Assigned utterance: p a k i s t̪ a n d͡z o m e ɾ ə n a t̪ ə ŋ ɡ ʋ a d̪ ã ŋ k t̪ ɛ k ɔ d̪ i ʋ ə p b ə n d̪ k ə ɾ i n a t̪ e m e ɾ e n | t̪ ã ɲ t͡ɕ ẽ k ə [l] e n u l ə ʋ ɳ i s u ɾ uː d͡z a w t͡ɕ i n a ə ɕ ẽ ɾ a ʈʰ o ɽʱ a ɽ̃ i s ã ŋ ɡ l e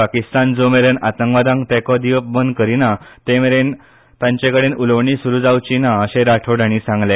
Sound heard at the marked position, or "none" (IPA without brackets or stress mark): ɽ